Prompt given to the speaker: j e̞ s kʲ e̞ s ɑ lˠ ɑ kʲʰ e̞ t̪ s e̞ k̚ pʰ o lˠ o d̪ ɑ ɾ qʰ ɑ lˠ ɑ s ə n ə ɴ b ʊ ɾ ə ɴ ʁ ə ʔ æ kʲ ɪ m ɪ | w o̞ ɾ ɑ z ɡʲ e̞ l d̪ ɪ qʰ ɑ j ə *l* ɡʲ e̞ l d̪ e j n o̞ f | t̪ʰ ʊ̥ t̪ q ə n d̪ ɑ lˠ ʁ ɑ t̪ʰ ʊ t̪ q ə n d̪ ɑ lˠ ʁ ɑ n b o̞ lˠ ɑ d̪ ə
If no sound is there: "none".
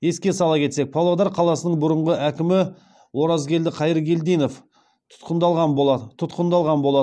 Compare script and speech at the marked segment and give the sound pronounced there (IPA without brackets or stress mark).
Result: ɾ